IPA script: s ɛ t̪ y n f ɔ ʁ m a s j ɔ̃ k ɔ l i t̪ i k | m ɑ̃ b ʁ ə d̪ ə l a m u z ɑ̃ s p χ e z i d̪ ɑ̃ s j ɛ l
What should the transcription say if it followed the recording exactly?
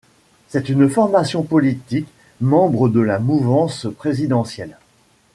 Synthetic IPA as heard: s ɛ t̪ y n f ɔ ʁ m a s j ɔ̃ p ɔ l i t̪ i k | m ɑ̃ b ʁ ə d̪ ə l a m u v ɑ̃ s p χ e z i d̪ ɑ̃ s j ɛ l